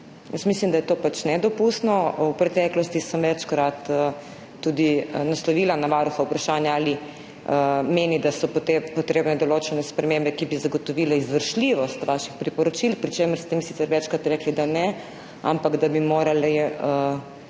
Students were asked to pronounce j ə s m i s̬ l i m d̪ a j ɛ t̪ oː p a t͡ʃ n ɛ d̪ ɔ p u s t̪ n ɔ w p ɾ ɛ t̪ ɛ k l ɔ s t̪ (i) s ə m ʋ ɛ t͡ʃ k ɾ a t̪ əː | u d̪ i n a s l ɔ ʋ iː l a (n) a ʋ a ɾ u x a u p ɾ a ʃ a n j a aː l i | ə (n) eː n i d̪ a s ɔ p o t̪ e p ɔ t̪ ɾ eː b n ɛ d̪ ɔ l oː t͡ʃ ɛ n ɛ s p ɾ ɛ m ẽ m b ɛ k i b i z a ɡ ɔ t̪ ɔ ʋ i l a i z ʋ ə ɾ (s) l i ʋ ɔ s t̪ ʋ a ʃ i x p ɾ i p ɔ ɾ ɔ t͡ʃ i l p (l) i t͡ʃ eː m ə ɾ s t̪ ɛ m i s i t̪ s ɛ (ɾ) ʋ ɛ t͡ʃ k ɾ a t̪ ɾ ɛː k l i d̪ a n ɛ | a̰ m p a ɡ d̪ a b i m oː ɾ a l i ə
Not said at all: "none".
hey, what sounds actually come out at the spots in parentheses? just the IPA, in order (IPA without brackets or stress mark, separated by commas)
i, n, m, ʃ, ɾ, ɾ